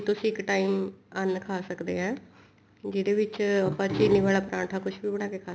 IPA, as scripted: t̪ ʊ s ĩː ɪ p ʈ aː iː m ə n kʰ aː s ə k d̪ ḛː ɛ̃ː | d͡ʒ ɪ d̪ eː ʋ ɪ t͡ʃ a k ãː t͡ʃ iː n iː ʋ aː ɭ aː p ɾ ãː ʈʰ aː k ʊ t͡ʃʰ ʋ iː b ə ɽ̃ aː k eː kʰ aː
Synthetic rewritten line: t̪ ʊ s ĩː ɪ k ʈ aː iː m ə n kʰ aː s ə k d̪ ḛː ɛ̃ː | d͡ʒ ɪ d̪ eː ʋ ɪ t͡ʃ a p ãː t͡ʃ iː n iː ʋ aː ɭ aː p ɾ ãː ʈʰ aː k ʊ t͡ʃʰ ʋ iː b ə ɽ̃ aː k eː kʰ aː